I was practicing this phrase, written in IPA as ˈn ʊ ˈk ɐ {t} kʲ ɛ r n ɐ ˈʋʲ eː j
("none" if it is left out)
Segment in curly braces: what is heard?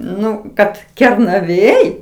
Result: t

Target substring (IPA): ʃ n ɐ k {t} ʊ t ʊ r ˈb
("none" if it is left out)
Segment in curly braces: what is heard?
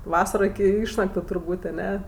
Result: t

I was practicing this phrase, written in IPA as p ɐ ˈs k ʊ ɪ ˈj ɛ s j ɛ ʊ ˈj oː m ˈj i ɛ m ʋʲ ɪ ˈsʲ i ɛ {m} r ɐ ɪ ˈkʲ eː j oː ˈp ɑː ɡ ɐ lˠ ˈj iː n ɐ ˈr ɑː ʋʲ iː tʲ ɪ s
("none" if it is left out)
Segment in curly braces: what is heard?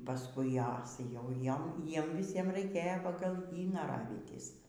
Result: m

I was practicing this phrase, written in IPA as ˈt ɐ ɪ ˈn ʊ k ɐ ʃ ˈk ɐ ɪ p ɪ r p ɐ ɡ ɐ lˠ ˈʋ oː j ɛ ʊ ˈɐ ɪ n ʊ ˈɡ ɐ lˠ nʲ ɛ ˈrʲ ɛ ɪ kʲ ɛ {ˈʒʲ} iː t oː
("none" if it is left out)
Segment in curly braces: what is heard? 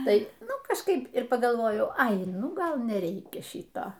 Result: ʃʲ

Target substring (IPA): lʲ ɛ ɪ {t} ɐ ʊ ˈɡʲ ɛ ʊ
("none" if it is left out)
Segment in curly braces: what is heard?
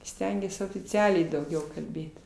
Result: d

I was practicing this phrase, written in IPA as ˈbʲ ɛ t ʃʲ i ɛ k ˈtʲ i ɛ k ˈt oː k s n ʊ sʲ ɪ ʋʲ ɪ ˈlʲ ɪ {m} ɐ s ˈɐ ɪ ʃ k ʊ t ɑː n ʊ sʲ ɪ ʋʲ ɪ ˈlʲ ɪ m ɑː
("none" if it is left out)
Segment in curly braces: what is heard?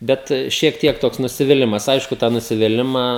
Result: m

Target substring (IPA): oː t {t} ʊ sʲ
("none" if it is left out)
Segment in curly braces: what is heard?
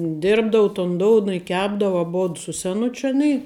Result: s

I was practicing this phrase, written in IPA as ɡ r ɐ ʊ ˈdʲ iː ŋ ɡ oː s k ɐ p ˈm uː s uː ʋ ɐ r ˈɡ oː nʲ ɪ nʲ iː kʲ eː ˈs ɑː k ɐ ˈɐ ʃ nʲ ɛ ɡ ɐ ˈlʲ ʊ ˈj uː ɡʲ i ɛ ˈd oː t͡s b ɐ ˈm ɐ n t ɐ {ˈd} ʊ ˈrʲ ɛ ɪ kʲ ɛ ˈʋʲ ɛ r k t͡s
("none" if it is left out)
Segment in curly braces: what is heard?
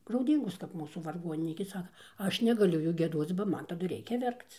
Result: d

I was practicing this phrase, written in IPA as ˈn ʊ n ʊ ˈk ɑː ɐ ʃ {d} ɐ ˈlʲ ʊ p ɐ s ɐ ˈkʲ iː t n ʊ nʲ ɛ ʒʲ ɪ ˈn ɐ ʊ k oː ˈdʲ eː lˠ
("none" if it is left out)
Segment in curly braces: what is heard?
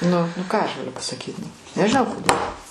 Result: ɡ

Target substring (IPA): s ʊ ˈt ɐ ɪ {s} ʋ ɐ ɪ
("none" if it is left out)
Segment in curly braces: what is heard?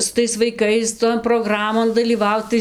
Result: s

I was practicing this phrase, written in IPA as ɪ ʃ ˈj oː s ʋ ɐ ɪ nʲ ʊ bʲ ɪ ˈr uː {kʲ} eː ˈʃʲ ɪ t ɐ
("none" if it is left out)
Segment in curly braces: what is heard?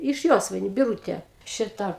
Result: tʲ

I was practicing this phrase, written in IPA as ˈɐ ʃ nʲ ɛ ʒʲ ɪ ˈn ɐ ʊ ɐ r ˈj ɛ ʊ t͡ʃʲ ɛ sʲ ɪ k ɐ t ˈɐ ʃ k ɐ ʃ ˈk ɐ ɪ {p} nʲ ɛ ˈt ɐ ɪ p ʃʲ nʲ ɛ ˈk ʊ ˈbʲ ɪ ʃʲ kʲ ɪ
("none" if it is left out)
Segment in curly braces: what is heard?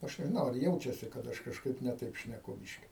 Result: p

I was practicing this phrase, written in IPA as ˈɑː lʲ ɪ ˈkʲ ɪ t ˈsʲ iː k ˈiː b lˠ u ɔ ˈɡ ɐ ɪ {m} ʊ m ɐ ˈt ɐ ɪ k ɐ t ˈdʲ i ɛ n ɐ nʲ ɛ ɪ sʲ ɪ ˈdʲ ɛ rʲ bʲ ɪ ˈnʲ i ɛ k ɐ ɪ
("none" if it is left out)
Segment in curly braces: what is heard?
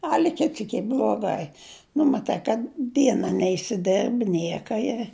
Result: n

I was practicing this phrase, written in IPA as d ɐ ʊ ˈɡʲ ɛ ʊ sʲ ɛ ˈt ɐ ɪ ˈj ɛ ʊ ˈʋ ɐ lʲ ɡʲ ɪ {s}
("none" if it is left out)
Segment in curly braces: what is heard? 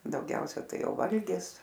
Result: s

